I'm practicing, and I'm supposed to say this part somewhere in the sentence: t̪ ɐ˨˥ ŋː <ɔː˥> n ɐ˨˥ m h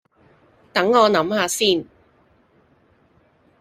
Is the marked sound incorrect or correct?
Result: incorrect